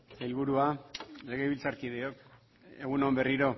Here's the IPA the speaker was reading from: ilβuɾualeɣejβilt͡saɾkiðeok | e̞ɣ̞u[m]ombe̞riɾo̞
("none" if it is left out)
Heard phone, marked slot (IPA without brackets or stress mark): n